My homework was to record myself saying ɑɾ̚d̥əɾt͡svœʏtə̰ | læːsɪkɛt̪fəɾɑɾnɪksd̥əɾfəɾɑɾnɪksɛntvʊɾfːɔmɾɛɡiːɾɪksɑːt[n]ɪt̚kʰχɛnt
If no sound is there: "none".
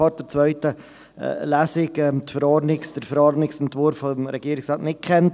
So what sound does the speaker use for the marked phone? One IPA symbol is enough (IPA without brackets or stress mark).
n